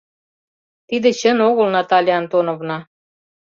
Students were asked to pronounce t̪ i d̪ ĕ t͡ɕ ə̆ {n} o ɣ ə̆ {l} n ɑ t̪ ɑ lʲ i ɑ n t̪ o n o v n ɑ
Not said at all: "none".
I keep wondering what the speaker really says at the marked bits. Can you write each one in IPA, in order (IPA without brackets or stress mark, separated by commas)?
n, l